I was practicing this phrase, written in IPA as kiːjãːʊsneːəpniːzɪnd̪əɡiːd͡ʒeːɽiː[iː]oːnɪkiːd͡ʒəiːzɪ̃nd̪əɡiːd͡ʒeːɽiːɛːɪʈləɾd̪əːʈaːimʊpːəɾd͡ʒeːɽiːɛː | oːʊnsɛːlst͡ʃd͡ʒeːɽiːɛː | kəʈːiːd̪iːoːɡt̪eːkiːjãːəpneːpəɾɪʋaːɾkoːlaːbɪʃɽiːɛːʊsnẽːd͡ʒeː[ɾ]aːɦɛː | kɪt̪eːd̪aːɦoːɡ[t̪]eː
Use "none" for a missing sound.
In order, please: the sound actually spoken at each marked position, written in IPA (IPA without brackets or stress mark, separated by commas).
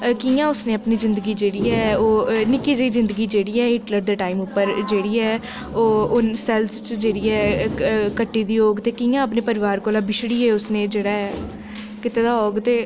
ɛː, ɽ, t̪